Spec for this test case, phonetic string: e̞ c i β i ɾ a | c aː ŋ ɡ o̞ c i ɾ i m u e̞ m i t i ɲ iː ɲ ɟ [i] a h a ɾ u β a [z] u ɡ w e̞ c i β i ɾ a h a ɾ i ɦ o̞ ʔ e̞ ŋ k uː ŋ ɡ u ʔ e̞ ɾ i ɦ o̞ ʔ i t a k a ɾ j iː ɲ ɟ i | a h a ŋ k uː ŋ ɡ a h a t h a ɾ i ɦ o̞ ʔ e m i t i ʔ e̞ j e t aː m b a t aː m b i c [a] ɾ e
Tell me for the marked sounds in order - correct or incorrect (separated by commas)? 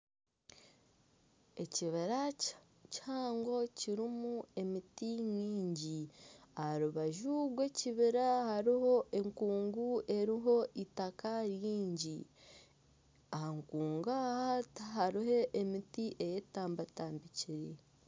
correct, incorrect, incorrect